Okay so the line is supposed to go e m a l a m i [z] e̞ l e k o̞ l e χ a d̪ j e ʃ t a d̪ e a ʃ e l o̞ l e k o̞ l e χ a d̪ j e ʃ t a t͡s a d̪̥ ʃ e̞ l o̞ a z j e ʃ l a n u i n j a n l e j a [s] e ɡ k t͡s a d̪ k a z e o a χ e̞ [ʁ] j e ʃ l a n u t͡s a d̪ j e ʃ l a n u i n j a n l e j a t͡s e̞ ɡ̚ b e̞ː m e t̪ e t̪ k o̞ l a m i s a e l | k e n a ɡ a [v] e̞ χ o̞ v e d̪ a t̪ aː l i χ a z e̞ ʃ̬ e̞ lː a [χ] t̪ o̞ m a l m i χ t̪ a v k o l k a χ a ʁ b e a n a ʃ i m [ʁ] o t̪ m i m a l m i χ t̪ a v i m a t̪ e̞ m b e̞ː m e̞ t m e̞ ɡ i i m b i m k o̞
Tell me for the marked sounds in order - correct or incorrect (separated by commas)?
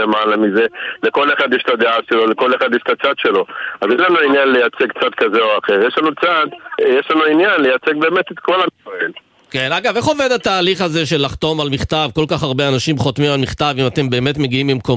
correct, incorrect, correct, correct, correct, incorrect